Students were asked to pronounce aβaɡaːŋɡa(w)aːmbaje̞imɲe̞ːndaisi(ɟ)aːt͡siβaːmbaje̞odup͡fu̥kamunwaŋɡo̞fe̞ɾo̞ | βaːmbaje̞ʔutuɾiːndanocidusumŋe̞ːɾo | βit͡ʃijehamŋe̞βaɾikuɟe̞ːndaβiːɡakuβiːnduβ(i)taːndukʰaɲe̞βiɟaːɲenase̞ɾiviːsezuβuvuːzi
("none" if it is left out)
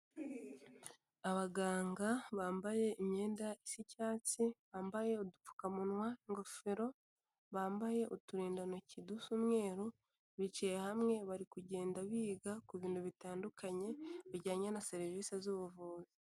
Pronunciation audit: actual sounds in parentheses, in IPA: β, c, i

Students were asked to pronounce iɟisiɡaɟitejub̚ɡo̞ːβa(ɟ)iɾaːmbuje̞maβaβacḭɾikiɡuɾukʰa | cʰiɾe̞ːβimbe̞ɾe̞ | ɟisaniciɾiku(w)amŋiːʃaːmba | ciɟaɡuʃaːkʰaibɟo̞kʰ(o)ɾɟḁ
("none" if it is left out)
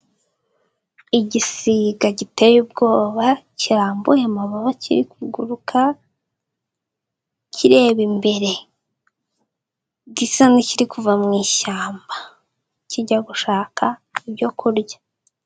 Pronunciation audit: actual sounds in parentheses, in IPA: c, v, u

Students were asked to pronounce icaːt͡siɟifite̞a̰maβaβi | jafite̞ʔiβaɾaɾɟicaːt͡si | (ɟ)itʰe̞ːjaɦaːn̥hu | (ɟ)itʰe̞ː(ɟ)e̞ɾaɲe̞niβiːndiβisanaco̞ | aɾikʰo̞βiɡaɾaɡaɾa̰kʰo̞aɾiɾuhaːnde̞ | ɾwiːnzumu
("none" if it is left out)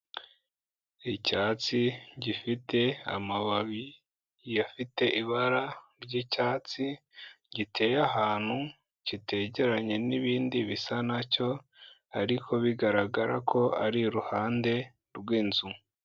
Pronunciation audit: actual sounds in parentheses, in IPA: ɟ, c, ɟ

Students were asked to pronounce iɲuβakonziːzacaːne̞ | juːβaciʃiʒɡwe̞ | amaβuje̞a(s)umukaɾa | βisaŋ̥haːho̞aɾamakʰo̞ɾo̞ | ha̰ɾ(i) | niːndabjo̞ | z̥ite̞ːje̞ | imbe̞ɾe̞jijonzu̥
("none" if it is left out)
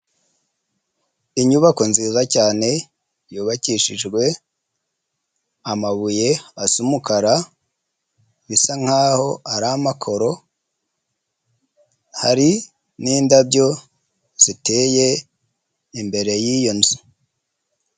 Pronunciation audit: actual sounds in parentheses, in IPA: s, i

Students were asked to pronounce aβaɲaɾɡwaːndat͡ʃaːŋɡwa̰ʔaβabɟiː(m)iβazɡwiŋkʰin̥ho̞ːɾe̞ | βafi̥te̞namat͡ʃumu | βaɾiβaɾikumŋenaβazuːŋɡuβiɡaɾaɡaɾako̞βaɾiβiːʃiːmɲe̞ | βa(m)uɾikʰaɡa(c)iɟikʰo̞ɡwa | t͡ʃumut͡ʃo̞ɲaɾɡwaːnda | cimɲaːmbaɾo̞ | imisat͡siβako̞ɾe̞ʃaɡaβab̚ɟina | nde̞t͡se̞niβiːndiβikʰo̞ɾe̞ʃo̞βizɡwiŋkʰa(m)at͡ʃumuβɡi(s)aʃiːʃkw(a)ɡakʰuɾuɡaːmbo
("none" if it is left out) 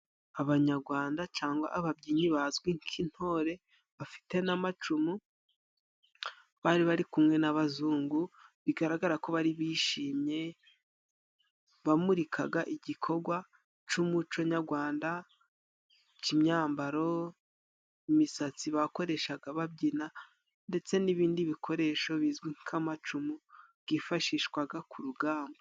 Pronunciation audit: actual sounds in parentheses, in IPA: ɲ, m, ʔ, m, f, a

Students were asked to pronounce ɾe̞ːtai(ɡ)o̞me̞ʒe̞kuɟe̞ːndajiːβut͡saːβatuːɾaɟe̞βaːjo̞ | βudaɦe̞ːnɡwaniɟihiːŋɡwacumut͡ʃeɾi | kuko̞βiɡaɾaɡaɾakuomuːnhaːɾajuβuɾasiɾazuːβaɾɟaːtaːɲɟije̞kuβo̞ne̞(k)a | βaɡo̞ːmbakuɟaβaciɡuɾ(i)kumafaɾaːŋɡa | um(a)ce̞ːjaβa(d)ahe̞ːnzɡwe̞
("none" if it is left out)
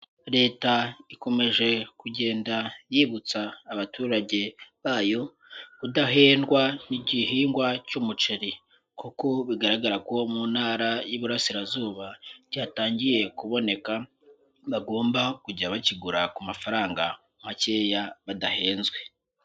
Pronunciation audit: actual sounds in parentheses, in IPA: k, k, a, a, d

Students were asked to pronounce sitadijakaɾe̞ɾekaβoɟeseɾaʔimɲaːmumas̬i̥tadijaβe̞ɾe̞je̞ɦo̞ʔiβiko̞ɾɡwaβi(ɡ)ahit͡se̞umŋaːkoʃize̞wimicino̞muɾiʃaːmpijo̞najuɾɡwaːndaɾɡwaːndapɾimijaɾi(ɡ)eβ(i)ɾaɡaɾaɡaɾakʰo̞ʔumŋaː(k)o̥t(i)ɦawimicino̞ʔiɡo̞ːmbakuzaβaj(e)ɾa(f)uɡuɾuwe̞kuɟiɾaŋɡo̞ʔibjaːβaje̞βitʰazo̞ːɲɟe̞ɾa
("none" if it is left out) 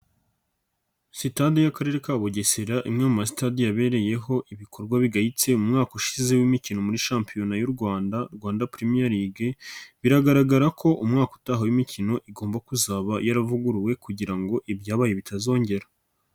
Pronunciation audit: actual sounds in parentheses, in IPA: ɡ, ɡ, i, k, a, a, v

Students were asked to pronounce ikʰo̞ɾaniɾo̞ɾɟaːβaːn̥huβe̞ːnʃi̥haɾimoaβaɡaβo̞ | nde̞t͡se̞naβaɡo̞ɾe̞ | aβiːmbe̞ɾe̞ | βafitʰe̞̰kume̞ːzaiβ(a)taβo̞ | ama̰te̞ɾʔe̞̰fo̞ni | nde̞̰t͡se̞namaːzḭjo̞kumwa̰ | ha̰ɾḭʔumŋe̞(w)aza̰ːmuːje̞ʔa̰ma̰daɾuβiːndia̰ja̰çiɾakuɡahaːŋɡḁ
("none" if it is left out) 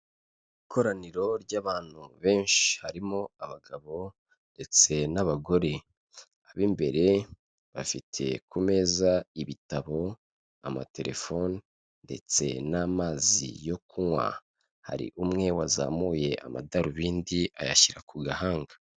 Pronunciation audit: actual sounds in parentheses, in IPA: i, w

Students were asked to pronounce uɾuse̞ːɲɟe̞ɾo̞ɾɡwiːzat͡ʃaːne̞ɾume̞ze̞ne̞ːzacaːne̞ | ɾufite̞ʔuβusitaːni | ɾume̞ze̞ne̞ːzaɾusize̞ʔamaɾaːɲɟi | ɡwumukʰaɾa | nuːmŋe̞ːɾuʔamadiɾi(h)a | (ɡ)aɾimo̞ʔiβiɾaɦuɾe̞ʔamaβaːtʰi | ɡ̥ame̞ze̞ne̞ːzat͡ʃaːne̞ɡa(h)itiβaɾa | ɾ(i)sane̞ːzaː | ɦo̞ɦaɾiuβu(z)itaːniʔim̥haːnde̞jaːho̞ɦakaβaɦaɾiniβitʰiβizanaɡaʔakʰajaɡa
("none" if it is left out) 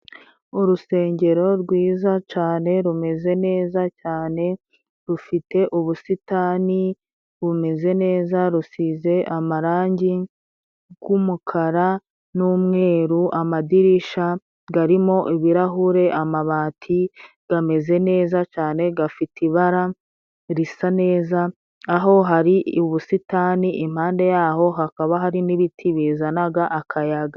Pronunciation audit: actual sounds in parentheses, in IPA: ʃ, ɡ, f, i, s

